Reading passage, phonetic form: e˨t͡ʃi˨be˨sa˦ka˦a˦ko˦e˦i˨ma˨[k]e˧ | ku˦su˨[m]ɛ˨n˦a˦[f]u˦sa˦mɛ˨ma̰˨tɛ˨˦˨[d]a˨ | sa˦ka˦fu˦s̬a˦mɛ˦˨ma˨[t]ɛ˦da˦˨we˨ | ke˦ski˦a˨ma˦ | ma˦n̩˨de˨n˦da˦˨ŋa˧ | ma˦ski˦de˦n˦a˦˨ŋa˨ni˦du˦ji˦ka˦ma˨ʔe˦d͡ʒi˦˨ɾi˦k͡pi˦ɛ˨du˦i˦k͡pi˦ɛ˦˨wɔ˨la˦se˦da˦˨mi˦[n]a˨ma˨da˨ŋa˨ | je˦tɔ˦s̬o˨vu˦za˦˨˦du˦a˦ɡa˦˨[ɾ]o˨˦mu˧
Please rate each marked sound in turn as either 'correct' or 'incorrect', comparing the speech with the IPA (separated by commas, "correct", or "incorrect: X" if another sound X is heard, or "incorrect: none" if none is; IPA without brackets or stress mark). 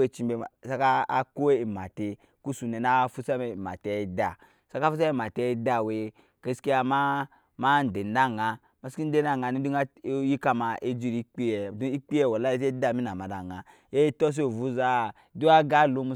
incorrect: t, incorrect: n, correct, correct, correct, correct, incorrect: l